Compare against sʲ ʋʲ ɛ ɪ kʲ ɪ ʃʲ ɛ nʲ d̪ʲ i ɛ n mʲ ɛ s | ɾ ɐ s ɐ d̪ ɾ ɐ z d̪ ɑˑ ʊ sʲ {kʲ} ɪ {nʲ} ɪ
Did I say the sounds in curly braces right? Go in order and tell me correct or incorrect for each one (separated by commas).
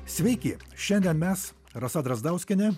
correct, correct